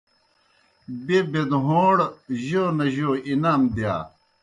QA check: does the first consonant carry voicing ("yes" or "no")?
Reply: yes